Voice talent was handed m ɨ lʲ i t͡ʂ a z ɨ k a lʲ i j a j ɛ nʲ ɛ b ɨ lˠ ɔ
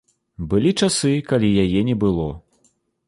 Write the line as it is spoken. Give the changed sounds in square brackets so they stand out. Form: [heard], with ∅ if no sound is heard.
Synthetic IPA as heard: [b] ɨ lʲ i t͡ʂ a [s] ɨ k a lʲ i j a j ɛ nʲ ɛ b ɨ lˠ ɔ